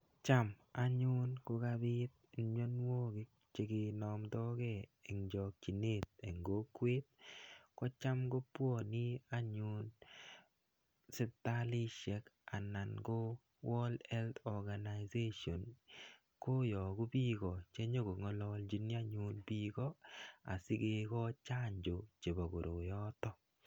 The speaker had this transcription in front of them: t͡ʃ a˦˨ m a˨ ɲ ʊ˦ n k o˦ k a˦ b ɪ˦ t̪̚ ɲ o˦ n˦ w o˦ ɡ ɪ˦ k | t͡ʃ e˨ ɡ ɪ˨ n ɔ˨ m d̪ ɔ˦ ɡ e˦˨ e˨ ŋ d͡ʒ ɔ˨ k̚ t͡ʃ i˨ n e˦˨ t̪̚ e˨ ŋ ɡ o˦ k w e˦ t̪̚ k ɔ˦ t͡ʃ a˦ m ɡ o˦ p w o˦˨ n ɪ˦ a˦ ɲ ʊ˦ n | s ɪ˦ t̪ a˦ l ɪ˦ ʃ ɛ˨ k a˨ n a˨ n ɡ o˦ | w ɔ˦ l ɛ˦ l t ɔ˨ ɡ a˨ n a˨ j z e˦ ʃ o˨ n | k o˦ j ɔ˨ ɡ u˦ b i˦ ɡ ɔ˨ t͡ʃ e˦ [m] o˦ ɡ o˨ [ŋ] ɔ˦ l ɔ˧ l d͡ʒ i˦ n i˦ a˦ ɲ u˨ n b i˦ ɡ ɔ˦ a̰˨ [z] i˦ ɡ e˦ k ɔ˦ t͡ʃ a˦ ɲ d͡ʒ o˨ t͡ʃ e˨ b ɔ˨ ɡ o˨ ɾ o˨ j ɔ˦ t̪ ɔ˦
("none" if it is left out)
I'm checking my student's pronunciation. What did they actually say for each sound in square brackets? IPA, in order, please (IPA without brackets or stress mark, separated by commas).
ɲ, ŋ, s